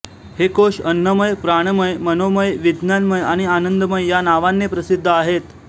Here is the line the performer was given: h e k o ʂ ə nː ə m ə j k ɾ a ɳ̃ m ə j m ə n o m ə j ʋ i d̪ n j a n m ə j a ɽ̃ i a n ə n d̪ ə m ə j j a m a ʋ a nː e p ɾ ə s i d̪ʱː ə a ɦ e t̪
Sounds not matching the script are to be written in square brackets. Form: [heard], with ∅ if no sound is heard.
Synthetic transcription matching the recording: h e k o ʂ ə nː ə m ə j [p] ɾ a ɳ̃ m ə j m ə n o m ə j ʋ i d̪ n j a n m ə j a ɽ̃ i a n ə n d̪ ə m ə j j a [n] a ʋ a nː e p ɾ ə s i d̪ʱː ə a ɦ e t̪

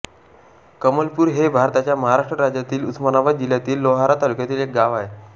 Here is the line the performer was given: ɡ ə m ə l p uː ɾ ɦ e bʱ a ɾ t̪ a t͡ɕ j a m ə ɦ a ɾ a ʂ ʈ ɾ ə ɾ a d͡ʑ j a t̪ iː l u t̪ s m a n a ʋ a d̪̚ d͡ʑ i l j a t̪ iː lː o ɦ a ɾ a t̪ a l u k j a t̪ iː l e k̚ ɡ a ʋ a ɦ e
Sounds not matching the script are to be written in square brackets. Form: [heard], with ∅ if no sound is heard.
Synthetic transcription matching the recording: [k] ə m ə l p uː ɾ ɦ e bʱ a ɾ t̪ a t͡ɕ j a m ə ɦ a ɾ a ʂ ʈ ɾ ə ɾ a d͡ʑ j a t̪ iː l u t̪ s m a n a ʋ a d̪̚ d͡ʑ i l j a t̪ iː lː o ɦ a ɾ a t̪ a l u k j a t̪ iː l e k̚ ɡ a ʋ a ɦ e

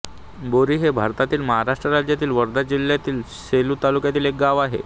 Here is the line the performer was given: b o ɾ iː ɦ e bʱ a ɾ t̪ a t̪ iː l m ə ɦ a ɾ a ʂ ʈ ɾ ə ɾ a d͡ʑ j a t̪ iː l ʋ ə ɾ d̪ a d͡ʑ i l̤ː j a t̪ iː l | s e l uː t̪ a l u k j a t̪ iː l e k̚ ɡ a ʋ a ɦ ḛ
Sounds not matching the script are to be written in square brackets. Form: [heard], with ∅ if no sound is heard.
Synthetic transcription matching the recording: b o ɾ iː ɦ e bʱ a ɾ t̪ a t̪ iː l m ə ɦ a ɾ a ʂ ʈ ɾ ə ɾ a d͡ʑ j a t̪ iː l ʋ ə ɾ d̪ a d͡ʑ i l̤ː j a t̪ iː l | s e l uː t̪ a l u k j a t̪ iː l e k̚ ɡ a ʋ a ɦ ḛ

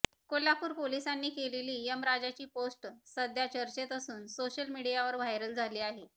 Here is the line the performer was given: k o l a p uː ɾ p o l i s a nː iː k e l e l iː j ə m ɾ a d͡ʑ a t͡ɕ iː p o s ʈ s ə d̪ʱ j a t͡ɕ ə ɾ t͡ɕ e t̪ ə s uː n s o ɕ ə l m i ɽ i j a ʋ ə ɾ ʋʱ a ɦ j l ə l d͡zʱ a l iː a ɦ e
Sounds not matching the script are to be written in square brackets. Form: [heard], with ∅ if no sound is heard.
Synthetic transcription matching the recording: k o l a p uː ɾ p o l i s a nː iː k e l e l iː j ə m ɾ a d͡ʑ a t͡ɕ iː p o s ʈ s ə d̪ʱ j a t͡ɕ ə ɾ t͡ɕ e t̪ ə s uː n s o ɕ ə l m i ɽ i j a ʋ ə ɾ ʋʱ a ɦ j [ɾ] ə l d͡zʱ a l iː a ɦ e

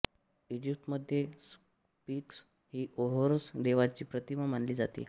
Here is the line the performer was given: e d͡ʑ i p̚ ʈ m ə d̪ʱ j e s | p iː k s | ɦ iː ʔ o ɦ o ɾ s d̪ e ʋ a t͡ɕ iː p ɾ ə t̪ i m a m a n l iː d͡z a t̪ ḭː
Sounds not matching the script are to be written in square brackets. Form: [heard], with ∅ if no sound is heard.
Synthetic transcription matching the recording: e d͡ʑ i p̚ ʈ m ə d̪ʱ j e s | p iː k s | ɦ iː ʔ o ɦ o ɾ s d̪ e ʋ a t͡ɕ iː p ɾ ə t̪ i m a m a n l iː d͡z a t̪ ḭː

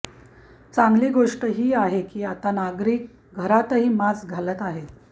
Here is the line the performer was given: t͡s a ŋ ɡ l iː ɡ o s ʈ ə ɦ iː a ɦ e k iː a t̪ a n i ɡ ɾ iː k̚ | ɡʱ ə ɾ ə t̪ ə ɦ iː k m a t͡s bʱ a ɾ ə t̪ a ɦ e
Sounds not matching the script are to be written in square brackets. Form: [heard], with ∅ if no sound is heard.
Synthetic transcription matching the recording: t͡s a ŋ ɡ l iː ɡ o [ʂ] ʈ ə ɦ iː a ɦ e k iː a t̪ a n [a] ɡ ɾ iː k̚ | ɡʱ ə ɾ [a] t̪ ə ɦ iː [∅] m a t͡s [ɡʱ] a [l] ə t̪ a ɦ e

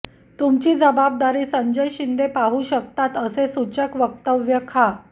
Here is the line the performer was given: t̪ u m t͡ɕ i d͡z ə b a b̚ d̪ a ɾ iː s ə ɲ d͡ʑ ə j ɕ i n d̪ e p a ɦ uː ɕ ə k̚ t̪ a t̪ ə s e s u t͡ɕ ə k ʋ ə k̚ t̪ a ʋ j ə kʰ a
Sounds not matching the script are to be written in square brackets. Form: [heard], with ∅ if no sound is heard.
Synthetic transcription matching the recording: t̪ u m t͡ɕ [iː] d͡z ə b a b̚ d̪ a ɾ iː s ə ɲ d͡ʑ ə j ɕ i n d̪ e p a ɦ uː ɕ ə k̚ t̪ a t̪ ə s e s u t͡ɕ ə k ʋ ə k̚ t̪ [ə] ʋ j ə kʰ a

